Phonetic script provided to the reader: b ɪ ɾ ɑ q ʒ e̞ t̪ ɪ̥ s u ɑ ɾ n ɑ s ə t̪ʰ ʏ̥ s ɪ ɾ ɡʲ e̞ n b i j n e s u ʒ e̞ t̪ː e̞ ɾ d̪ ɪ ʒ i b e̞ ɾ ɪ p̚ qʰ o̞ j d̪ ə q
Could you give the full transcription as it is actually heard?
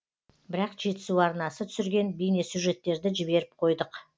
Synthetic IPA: b ɪ ɾ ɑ q ʒ e̞ t̪ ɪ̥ s u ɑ ɾ n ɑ s ə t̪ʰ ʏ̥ s ɪ ɾ ɡʲ e̞ n b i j n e s u ʒ e̞ t̪ː e̞ ɾ d̪ ɪ ʒ ɪ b e̞ ɾ ɪ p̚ qʰ o̞ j d̪ ə q